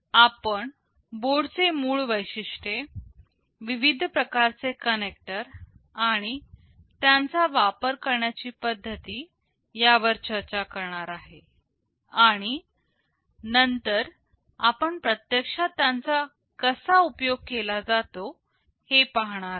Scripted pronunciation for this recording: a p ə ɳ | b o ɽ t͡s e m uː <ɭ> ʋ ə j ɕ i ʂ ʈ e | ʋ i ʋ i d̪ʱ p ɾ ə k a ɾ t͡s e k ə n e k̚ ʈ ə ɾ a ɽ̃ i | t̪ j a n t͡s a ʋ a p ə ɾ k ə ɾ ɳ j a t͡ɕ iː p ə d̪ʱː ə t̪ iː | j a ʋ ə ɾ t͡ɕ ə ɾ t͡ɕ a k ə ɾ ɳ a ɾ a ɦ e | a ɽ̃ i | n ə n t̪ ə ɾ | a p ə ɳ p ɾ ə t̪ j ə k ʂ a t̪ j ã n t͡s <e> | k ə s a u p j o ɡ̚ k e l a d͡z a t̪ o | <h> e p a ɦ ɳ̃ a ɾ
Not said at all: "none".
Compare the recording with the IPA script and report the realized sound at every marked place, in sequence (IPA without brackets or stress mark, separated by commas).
ɭ, a, h